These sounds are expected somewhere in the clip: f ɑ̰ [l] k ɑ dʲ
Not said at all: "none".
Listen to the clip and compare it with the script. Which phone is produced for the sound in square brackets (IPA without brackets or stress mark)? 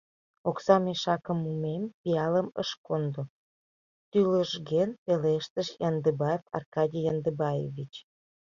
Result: r